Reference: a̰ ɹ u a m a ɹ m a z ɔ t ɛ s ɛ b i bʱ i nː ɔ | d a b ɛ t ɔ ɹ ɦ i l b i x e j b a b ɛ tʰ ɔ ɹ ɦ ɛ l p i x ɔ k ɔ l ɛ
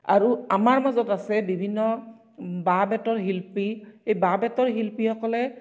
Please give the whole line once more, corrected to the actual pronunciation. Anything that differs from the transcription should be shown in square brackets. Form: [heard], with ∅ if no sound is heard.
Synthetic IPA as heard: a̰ ɹ u a m a ɹ m a z ɔ t [a] s ɛ b i bʱ i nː ɔ | [b] a b ɛ t ɔ ɹ ɦ i l [p] i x e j b a b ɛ [t] ɔ ɹ ɦ [i] l p i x ɔ k ɔ l ɛ